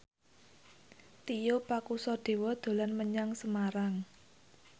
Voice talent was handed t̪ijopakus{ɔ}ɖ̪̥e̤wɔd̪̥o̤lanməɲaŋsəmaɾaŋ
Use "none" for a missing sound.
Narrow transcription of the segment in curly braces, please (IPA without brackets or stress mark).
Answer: ɔ